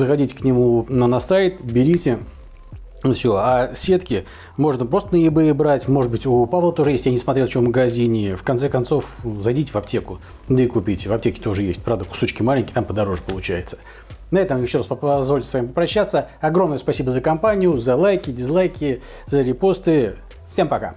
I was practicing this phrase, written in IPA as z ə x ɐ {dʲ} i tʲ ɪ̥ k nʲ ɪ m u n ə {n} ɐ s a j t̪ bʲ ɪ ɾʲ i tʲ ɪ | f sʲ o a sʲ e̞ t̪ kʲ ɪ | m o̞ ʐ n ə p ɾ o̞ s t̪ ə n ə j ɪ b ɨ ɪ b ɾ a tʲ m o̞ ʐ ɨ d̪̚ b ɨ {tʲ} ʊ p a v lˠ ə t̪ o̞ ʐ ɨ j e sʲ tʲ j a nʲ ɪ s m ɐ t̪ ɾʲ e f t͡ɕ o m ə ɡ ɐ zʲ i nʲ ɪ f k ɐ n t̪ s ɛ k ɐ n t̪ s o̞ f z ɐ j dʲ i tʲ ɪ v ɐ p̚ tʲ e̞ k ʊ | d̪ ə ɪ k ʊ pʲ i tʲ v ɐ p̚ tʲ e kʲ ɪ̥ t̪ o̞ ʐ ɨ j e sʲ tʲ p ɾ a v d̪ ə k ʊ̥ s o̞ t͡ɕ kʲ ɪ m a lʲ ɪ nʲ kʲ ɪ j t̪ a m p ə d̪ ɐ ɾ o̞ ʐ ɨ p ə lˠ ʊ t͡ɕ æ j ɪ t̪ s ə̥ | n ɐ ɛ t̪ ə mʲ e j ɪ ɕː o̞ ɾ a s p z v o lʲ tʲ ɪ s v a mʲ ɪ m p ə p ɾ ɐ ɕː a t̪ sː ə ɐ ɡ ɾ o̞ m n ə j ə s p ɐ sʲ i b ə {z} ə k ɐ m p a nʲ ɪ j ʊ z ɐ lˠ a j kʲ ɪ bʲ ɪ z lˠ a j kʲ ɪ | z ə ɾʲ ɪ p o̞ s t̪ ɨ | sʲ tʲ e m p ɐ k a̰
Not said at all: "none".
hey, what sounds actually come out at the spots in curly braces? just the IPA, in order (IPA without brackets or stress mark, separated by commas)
dʲ, n, tʲ, z